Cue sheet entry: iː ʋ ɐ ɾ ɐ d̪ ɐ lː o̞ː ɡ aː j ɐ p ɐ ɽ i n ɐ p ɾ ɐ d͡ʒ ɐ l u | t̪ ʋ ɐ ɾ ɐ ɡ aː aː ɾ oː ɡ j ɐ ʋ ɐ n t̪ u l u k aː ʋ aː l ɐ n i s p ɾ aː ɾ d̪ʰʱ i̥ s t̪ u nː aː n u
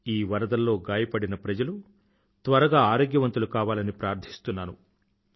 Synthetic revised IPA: iː ʋ ɐ ɾ ɐ d̪ ɐ lː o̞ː ɡ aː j ɐ p ɐ ɽ i n ɐ p ɾ ɐ d͡ʒ ɐ l u | t̪ ʋ ɐ ɾ ɐ ɡ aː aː ɾ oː ɡ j ɐ ʋ ɐ n t̪ u l u k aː ʋ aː l ɐ n i p ɾ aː ɾ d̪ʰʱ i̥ s t̪ u nː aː n u